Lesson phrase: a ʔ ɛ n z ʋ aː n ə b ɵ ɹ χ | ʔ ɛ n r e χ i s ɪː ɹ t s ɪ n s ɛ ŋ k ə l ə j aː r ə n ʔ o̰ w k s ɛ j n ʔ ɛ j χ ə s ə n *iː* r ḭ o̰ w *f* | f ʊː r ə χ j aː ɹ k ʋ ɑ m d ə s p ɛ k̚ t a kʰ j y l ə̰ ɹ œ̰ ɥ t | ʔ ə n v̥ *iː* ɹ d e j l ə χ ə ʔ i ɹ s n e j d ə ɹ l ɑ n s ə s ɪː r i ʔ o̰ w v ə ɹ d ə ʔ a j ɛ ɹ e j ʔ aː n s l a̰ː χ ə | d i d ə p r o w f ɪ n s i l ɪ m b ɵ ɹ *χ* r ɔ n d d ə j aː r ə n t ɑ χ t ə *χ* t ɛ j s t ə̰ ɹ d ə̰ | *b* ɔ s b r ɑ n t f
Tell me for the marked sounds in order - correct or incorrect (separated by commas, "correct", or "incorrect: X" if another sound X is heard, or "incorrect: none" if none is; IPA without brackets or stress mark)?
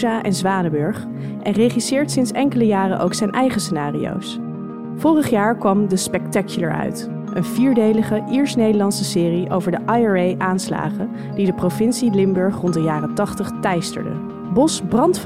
incorrect: aː, incorrect: s, correct, correct, correct, correct